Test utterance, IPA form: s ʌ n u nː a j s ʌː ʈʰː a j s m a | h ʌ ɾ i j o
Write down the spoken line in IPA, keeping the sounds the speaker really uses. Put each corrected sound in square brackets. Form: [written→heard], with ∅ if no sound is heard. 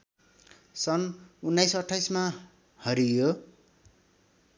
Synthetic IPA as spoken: s ʌ n u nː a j s [ʌː→ʌ] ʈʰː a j s m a | h ʌ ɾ i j o